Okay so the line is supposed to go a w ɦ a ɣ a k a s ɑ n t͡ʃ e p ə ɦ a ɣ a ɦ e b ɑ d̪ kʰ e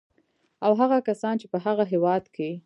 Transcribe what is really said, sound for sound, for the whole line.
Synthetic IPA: a w ɦ a ɣ a k a s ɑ n t͡ʃ e p ə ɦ a ɣ a ɦ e w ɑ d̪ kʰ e